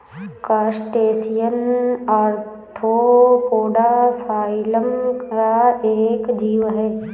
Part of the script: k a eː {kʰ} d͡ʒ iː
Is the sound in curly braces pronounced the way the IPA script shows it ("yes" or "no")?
no